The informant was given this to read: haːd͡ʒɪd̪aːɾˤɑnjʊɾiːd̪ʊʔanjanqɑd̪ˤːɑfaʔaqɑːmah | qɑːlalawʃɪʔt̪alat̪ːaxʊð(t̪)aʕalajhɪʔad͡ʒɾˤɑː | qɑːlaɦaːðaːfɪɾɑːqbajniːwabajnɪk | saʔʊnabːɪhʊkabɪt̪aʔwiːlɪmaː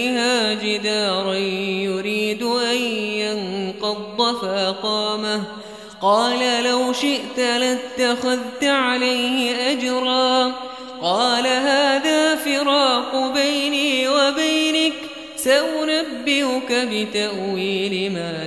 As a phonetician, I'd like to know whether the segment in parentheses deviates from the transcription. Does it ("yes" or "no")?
no